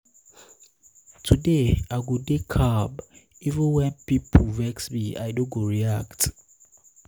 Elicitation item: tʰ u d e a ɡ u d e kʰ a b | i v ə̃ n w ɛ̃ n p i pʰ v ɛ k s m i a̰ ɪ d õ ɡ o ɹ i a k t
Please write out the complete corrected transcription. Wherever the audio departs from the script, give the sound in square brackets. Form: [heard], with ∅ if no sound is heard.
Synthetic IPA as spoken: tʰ u d e a ɡ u d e kʰ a b | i v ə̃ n w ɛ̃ n p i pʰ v ɛ k s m i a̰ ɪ d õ ɡ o ɹ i a k t